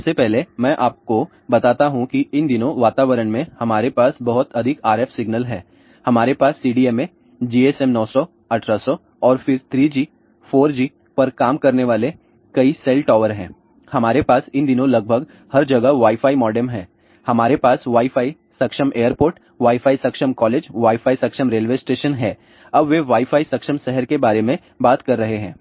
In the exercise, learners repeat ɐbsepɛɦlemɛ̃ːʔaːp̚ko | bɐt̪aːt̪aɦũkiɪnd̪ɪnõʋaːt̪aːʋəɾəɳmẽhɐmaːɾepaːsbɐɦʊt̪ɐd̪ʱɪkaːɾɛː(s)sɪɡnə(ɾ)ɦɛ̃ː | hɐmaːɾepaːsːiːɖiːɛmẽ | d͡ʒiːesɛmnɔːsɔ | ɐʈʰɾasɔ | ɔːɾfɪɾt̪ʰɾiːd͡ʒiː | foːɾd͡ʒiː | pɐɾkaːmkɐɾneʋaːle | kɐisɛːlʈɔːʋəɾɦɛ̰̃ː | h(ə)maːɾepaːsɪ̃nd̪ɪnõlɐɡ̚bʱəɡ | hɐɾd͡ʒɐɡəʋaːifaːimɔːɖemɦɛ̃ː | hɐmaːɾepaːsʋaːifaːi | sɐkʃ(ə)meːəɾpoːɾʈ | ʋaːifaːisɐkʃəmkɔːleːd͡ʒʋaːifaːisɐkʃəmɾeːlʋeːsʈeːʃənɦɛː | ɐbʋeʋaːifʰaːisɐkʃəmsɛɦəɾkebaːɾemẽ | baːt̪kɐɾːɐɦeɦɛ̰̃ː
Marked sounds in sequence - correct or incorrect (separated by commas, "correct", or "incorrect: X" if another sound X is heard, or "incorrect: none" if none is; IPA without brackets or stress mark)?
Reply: incorrect: f, incorrect: l, incorrect: ɐ, correct